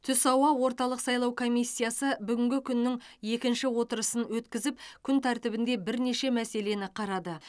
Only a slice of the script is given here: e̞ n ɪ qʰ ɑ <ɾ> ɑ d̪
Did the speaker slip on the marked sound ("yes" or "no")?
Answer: no